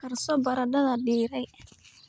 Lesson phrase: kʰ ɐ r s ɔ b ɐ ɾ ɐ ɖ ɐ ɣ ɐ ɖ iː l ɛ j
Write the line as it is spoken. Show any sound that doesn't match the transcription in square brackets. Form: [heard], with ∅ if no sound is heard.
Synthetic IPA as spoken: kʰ ɐ r s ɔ b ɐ ɾ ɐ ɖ ɐ [ð] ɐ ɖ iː [ɾ] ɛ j

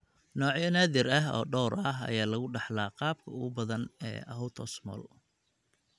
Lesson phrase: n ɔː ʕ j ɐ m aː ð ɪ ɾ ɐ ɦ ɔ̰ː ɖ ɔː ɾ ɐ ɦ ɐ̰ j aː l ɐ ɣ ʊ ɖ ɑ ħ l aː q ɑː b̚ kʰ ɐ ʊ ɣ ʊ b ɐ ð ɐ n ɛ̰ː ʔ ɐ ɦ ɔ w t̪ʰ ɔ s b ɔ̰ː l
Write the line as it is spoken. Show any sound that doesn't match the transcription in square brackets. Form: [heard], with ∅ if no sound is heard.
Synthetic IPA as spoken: n ɔː ʕ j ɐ [n] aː ð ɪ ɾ ɐ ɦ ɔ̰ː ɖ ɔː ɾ ɐ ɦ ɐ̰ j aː l ɐ ɣ ʊ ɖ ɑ ħ l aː q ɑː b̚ kʰ ɐ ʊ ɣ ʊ b ɐ ð ɐ n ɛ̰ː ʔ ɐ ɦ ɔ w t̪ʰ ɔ s [m] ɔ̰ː l

